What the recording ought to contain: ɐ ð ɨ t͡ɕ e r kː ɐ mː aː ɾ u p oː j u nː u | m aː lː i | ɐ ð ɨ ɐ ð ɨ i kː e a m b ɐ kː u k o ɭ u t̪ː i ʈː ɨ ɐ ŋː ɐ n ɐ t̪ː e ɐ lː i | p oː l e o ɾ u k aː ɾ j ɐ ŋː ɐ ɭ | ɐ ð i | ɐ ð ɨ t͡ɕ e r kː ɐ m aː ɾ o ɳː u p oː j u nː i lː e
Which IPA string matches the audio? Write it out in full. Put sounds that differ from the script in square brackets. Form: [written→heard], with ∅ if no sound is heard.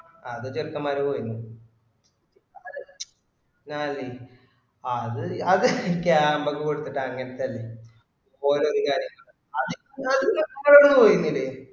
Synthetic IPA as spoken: ɐ ð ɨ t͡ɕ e r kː ɐ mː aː ɾ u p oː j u nː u | [m→n] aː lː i | ɐ ð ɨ ɐ ð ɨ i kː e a m b ɐ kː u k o [ɭ→ɽ] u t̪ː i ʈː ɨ ɐ ŋː ɐ n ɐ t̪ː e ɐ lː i | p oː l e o ɾ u k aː ɾ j ɐ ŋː ɐ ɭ | ɐ ð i | ɐ ð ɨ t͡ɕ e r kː ɐ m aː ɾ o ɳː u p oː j u nː i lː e